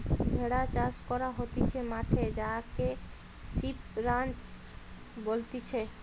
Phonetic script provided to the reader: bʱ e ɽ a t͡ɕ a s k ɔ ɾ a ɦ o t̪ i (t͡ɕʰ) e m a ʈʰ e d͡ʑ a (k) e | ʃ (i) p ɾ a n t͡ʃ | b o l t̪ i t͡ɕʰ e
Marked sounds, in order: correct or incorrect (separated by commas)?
correct, correct, correct